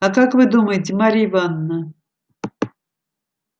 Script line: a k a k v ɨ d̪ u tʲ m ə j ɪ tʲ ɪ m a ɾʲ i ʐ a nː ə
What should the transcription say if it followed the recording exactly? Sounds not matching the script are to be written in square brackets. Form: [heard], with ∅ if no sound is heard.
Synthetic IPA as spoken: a k a k v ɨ d̪ u [∅] m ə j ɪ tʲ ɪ m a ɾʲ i [v] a nː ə

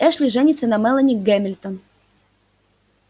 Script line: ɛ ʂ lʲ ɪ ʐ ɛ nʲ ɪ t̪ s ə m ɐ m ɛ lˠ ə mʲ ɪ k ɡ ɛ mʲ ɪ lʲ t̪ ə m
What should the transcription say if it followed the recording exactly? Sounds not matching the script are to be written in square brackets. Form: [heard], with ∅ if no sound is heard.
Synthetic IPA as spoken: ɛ ʂ lʲ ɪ ʐ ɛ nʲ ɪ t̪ s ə [n] ɐ m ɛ lˠ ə [nʲ] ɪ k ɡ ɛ mʲ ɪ lʲ t̪ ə [n]

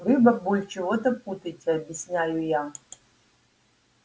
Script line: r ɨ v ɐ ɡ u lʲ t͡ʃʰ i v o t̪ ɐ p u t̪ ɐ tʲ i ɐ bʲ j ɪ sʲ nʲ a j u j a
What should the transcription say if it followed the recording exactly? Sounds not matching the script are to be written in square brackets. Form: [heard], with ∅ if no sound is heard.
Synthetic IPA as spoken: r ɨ [b] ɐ [b] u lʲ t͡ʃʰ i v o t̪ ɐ p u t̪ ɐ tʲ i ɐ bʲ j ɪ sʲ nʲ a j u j a

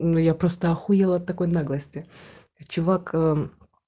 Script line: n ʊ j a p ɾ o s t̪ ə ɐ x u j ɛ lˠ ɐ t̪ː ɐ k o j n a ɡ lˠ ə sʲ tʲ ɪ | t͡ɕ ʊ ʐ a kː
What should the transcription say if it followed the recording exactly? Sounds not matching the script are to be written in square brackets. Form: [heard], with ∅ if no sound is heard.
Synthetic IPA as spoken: n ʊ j a p ɾ o s t̪ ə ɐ x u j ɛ lˠ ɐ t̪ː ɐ k o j n a ɡ lˠ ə sʲ tʲ ɪ | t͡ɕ ʊ [v] a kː

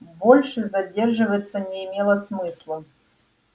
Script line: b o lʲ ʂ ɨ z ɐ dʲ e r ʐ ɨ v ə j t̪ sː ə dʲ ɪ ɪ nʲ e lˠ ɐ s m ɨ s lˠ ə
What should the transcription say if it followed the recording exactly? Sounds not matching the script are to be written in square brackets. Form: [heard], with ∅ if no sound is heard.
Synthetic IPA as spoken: b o lʲ ʂ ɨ z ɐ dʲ e r ʐ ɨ v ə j t̪ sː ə [nʲ] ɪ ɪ [mʲ] e lˠ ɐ s m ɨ s lˠ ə

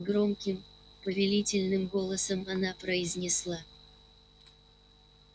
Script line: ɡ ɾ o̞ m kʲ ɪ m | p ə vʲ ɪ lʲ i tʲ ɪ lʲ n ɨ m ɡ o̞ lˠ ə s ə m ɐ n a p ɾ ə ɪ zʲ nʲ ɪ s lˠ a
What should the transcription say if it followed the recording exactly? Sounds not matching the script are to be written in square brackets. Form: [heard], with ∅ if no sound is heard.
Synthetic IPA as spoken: ɡ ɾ o̞ m kʲ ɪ m | p ə vʲ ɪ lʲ i tʲ ɪ lʲ n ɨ m ɡ o̞ lˠ ə s ə m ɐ n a p ɾ ə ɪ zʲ nʲ ɪ s lˠ a

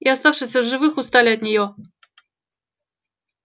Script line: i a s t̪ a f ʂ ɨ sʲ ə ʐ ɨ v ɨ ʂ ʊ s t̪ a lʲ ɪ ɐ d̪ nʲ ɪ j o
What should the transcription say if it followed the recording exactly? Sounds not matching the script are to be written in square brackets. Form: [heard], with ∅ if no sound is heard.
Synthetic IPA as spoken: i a s t̪ a f ʂ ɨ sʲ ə ʐ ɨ v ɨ [x] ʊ s t̪ a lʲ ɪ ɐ [t̪] nʲ ɪ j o

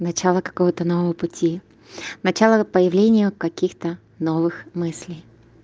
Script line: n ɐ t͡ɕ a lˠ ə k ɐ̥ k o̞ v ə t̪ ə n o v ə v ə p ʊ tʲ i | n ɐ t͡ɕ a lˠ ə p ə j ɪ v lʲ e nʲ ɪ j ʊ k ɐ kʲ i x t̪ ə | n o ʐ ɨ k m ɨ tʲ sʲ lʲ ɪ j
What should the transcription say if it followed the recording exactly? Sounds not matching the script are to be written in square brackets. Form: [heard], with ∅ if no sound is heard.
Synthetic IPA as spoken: n ɐ t͡ɕ a lˠ ə k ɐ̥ k o̞ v ə t̪ ə n o v ə v ə p ʊ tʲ i | n ɐ t͡ɕ a lˠ ə p ə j ɪ v lʲ e nʲ ɪ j ʊ k ɐ kʲ i x t̪ ə | n o [v] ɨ [x] m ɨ [∅] sʲ lʲ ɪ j

